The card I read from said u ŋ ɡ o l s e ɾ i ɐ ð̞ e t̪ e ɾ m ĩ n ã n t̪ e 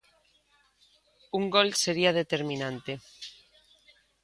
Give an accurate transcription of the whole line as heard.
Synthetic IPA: u ŋ ɡ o l s e ɾ i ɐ ð̞ e t̪ e ɾ m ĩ n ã n t̪ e